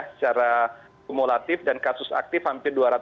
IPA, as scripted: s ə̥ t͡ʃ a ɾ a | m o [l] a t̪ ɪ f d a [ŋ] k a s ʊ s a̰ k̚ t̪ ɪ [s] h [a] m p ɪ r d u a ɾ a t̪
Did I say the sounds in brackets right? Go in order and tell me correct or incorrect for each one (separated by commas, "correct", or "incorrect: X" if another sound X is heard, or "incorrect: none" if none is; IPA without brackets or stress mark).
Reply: correct, incorrect: n, incorrect: f, correct